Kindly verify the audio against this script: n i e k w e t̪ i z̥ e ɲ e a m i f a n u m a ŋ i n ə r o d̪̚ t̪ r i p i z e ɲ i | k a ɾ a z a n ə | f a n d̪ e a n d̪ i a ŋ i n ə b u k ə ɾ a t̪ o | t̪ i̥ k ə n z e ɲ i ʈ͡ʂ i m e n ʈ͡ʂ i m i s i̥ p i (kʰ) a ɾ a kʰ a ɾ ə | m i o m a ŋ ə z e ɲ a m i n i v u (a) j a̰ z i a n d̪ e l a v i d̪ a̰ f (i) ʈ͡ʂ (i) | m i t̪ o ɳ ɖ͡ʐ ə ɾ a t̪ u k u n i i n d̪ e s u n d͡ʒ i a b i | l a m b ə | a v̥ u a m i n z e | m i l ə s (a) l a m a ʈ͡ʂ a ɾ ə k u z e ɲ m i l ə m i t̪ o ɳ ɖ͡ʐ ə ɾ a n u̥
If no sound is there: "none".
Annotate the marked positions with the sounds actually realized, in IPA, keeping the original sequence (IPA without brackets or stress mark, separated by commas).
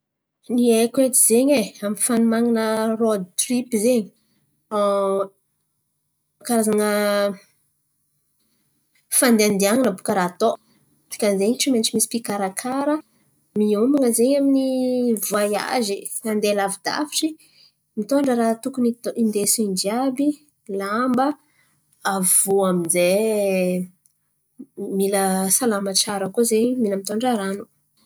k, a, i, i, a